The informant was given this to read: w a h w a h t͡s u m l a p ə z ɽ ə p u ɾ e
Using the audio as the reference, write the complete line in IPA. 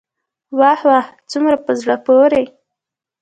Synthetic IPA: w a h w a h t͡s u m ɾ a p ə z ɽ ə p o ɾ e